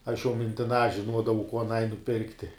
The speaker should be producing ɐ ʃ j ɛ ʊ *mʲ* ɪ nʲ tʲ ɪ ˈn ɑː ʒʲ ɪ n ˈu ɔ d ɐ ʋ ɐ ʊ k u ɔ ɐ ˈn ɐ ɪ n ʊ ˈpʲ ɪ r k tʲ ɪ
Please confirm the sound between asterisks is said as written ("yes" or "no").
yes